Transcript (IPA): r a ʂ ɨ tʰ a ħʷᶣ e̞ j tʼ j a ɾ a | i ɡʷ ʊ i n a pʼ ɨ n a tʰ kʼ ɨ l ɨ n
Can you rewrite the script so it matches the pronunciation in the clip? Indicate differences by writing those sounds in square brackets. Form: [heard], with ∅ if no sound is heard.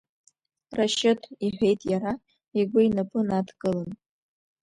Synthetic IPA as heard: r a [ʃ] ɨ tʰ [i] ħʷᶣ e̞ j tʼ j a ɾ a | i ɡʷ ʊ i n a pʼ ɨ n a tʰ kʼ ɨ l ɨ n